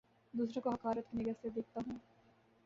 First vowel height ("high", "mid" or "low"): high